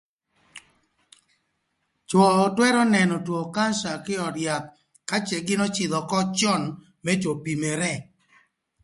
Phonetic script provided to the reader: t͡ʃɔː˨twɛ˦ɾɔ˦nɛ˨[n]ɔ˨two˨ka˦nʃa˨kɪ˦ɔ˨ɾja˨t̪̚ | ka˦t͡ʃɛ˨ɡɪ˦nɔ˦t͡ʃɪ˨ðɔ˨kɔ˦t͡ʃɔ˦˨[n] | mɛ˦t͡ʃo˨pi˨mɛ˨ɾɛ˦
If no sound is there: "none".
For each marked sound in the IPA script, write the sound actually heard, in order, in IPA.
n, n

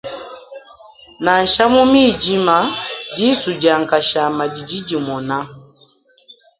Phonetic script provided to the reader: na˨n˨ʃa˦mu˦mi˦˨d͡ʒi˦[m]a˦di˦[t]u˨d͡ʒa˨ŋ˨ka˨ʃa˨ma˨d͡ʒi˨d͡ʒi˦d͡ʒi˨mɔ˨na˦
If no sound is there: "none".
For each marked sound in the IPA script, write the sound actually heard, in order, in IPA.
m, s

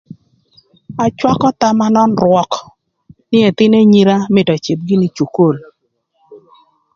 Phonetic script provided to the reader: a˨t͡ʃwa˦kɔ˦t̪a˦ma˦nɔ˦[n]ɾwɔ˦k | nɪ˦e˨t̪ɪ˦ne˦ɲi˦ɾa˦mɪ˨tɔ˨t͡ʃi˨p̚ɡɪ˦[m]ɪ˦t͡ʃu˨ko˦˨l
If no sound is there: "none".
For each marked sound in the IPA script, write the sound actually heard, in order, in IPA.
n, n

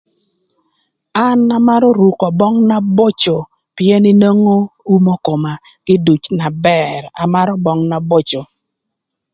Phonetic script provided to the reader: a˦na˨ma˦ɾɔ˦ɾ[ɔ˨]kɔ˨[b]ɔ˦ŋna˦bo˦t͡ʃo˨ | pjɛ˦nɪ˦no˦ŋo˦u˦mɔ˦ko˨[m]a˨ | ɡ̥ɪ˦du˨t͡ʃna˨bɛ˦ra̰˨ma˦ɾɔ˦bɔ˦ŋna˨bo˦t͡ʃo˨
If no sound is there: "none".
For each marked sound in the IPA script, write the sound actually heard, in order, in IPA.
u˨, b, m

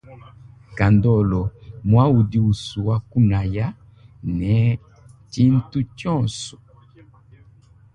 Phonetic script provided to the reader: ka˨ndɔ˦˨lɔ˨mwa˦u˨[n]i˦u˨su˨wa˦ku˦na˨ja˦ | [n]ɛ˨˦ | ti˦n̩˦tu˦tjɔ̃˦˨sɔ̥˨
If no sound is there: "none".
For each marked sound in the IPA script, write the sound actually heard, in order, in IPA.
d, n

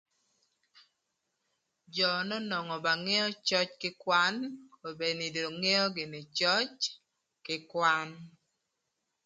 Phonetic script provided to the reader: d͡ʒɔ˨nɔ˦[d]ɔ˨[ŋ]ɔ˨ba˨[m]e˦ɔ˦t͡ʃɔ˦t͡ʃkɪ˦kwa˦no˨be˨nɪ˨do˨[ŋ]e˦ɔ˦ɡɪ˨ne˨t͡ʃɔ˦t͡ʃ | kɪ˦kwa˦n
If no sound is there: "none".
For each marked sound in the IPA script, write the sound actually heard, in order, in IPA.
n, ŋ, ŋ, ŋ

